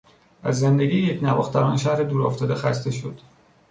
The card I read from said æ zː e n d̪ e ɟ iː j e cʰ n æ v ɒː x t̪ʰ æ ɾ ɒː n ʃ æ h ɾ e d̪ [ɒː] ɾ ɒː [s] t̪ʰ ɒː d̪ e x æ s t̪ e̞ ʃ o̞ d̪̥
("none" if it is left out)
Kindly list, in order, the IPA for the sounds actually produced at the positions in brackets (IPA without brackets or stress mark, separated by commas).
uː, f